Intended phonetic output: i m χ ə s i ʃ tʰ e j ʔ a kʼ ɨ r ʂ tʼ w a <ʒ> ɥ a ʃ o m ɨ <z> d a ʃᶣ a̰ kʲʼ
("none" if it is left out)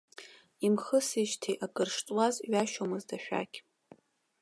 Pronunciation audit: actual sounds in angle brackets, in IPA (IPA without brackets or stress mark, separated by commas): z, z